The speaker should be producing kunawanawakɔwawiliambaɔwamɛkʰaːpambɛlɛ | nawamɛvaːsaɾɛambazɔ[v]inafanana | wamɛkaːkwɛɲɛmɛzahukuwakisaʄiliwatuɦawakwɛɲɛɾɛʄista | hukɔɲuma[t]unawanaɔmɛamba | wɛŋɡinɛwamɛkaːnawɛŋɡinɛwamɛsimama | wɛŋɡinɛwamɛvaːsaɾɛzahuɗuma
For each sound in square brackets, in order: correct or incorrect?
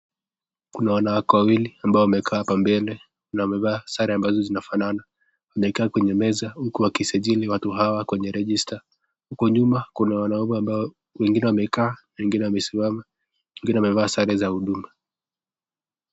incorrect, incorrect

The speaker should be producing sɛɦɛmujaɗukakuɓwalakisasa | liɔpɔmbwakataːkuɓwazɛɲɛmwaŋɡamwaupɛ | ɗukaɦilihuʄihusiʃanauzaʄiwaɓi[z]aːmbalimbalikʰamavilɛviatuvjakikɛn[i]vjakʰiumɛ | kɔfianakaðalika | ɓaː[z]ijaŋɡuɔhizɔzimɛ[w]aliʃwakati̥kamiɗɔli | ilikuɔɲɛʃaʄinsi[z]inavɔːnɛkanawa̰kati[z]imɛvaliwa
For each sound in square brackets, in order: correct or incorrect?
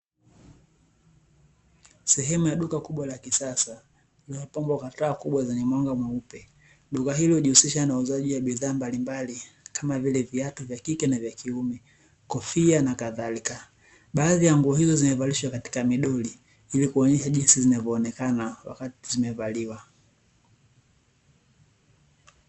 incorrect, incorrect, incorrect, incorrect, correct, correct

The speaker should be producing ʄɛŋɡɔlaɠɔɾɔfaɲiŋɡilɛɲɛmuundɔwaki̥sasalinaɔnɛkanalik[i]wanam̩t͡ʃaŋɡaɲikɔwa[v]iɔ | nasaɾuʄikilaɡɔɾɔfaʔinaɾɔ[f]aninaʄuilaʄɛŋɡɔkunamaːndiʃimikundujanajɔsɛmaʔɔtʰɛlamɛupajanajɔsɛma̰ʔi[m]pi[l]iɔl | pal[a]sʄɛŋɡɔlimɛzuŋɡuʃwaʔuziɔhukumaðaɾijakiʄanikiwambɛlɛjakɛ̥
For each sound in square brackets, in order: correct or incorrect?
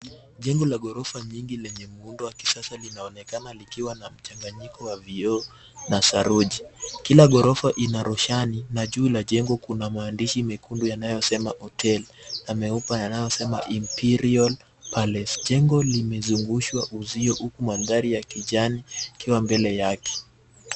correct, correct, incorrect, correct, incorrect, incorrect

